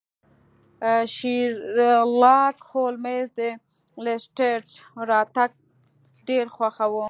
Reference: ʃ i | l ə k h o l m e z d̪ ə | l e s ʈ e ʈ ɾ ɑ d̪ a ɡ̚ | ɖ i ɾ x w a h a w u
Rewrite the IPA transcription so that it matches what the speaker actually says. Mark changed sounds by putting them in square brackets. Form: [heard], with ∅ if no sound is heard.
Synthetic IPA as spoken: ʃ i | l [ɑ] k h o l m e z d̪ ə | l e s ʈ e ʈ ɾ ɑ [t̪] a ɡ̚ | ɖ [e] ɾ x w a [x] a w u